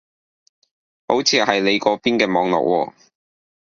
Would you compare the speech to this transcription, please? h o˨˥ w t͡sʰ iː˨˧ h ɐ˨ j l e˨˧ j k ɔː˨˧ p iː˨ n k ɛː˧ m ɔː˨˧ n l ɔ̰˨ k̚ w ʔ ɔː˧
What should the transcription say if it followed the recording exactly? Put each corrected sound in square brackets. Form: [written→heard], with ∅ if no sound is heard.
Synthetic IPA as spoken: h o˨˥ w t͡sʰ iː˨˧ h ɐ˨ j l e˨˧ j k ɔː˨˧ p [iː˨→iː˥] n k ɛː˧ m ɔː˨˧ [n→ŋ] l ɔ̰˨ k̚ w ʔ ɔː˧